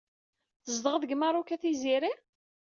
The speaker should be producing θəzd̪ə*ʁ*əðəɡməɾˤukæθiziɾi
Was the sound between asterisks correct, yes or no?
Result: yes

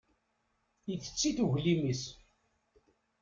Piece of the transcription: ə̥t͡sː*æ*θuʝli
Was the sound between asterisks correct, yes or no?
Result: no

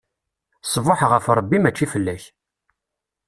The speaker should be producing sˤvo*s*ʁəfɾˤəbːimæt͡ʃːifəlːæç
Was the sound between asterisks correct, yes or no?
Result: no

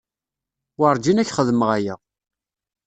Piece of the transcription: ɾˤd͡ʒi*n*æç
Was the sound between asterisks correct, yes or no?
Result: yes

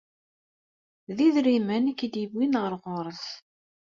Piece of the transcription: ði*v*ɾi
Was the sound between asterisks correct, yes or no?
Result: no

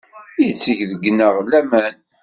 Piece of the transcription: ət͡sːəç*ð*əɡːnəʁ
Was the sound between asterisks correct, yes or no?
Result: yes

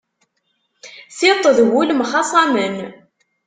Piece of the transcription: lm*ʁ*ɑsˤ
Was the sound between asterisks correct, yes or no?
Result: no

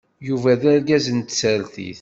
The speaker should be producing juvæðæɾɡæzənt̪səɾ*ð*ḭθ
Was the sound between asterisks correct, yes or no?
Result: no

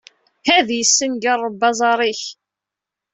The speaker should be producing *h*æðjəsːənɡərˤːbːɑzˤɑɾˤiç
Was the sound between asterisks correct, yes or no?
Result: yes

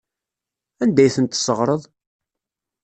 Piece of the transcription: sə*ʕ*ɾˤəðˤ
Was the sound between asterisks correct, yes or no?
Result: no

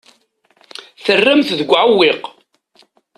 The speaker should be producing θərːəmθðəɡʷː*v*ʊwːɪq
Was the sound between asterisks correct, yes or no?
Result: no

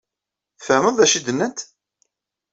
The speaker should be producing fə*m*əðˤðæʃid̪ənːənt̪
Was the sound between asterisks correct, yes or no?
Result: yes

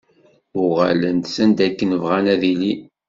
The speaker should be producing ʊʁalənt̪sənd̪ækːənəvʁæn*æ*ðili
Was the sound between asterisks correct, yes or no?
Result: yes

